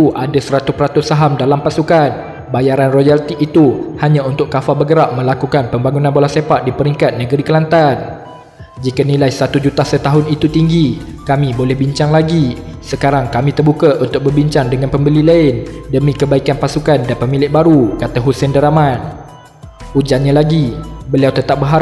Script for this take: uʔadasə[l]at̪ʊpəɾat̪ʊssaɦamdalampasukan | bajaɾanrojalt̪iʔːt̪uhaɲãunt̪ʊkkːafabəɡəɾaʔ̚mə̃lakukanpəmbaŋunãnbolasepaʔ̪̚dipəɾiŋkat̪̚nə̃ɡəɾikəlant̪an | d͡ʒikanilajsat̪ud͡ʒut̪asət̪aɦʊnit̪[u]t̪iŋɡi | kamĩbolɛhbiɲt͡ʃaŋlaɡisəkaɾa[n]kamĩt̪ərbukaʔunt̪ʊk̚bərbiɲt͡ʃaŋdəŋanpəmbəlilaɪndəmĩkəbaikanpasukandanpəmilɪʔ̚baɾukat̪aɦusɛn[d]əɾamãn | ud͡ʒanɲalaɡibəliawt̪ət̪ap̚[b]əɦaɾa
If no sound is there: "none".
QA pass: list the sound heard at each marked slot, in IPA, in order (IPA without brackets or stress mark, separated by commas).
ɾ, u, ŋ, d, b